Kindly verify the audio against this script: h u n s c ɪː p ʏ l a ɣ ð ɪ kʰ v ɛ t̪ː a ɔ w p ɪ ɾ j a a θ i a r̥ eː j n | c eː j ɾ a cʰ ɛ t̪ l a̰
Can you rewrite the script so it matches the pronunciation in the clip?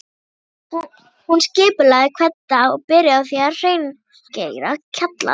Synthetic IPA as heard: h u n s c ɪː p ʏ l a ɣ ð ɪ kʰ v ɛ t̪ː a ɔ ɣ p ɪ ɾ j a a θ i a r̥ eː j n | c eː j ɾ a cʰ a t̪ l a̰

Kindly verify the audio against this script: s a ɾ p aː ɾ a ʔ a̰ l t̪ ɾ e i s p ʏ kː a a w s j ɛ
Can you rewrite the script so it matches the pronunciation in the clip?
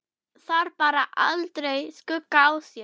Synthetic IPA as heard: θ a ɾ p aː ɾ a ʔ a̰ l t̪ ɾ e j s k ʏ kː a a w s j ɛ

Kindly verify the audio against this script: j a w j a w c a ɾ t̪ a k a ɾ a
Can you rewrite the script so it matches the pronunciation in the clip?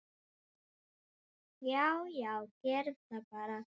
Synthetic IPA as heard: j a w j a w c ɛ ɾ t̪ a p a ɾ a

